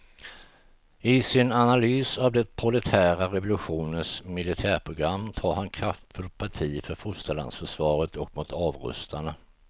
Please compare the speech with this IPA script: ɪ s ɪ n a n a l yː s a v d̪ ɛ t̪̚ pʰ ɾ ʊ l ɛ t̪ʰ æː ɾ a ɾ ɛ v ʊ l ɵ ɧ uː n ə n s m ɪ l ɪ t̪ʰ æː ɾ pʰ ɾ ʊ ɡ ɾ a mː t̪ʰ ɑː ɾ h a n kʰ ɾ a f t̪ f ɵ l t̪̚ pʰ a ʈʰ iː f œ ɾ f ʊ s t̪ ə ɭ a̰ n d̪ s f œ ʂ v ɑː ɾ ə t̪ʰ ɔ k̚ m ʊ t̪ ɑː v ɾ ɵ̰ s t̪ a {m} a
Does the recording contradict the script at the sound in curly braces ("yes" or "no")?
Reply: yes